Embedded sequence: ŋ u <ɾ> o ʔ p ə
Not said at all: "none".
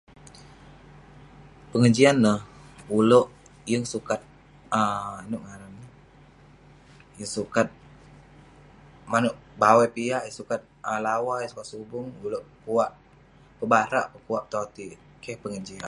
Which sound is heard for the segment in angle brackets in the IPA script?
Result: l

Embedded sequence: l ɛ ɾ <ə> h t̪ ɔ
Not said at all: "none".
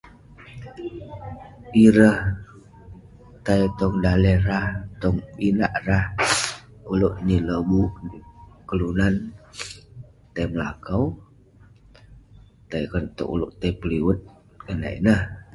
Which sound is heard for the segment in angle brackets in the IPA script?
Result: a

